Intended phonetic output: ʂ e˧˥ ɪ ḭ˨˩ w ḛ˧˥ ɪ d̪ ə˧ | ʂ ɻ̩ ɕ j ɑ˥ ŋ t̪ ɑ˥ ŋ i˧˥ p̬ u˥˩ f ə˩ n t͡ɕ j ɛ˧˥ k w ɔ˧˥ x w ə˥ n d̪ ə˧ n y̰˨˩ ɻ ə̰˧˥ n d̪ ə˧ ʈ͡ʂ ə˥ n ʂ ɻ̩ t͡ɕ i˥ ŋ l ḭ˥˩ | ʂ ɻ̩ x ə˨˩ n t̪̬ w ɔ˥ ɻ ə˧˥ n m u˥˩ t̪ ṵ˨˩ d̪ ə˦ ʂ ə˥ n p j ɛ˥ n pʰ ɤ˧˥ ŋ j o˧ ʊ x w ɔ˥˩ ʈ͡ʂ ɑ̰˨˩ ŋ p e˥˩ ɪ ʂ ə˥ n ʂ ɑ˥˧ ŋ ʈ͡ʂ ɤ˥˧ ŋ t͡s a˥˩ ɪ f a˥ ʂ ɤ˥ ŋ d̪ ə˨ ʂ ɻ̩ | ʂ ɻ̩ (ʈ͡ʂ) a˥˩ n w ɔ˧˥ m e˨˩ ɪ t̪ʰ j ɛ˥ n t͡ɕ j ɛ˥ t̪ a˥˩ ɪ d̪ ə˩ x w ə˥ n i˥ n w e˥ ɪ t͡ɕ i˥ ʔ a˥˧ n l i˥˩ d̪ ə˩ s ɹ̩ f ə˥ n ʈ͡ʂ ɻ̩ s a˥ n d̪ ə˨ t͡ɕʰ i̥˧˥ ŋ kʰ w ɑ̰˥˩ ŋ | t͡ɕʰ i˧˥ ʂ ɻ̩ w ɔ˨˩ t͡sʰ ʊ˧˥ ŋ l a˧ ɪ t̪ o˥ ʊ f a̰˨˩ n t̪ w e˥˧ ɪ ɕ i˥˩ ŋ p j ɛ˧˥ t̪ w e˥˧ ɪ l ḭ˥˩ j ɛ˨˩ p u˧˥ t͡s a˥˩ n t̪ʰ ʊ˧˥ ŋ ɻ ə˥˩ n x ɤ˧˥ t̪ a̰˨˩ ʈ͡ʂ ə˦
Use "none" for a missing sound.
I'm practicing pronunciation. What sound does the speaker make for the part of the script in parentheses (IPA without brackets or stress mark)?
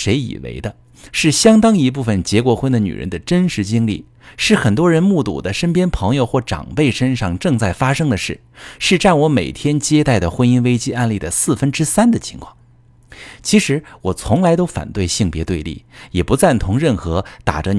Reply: ʈ͡ʂ